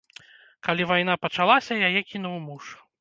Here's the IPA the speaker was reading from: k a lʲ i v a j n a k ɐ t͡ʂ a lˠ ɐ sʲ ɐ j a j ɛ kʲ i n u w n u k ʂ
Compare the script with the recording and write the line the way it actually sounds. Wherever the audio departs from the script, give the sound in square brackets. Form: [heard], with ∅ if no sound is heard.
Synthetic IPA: k a lʲ i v a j n a [p] ɐ t͡ʂ a lˠ [a] sʲ ɐ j a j ɛ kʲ i n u w [m] u [∅] ʂ